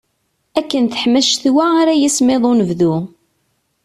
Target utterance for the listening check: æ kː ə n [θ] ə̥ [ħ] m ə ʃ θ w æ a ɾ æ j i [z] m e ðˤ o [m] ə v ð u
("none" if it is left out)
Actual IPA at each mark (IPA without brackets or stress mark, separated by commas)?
θ, ħ, s, n